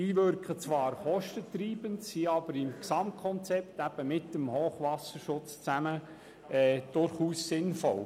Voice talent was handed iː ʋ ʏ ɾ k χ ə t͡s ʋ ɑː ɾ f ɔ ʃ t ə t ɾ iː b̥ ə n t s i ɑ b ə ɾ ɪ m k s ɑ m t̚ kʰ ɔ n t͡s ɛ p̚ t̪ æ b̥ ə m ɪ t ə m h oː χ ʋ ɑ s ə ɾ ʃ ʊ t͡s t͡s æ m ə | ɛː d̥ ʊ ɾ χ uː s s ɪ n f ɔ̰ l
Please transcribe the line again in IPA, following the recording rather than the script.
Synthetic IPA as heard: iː ʋ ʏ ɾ k χ ə t͡s ʋ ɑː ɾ χ ɔ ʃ t ə t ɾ iː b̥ ə n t s i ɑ b ə ɾ ɪ m k s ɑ m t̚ kʰ ɔ n t͡s ɛ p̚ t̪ æ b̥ ə m ɪ t ə m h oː χ ʋ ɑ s ə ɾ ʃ ʊ t͡s t͡s æ m ə | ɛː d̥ ʊ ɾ χ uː s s ɪ n f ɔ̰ l